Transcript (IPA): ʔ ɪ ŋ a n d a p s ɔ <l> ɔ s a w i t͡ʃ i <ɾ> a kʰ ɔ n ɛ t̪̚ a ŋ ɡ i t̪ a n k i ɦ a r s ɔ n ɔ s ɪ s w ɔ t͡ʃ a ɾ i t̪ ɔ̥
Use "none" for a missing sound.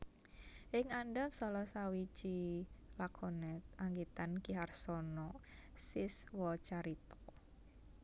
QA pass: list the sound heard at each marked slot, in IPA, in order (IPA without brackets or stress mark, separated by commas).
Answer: l, l